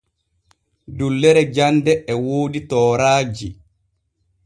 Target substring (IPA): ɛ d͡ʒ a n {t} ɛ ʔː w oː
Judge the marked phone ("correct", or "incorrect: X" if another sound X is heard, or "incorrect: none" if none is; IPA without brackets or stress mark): incorrect: d